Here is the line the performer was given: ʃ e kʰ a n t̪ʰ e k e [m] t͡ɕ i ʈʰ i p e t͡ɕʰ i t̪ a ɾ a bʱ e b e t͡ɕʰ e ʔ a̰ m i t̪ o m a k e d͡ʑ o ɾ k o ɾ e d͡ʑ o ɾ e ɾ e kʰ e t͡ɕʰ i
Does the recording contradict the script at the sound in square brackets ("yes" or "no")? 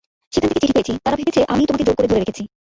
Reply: yes